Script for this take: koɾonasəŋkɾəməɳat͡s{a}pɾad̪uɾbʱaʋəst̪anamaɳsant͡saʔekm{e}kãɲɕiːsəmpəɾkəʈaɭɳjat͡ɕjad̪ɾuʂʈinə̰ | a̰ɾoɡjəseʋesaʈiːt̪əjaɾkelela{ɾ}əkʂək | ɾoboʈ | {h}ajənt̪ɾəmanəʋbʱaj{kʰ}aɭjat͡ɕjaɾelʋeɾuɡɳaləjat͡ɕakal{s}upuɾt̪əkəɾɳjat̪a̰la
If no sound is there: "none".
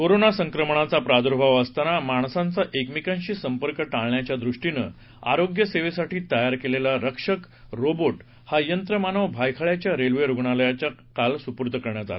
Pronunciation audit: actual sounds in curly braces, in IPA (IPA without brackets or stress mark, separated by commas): a, i, ɾ, h, kʰ, s